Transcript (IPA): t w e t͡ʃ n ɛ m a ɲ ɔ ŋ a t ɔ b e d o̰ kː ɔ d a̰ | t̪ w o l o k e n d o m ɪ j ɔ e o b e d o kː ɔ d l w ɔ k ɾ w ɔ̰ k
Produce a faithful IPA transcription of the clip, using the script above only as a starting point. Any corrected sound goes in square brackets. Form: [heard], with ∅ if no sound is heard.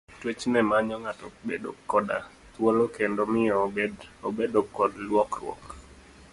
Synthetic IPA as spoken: t w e t͡ʃ n ɛ m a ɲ ɔ ŋ a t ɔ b e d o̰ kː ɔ d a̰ | t̪ w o l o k e n d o m ɪ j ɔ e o b e d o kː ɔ d l w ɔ k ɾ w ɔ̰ k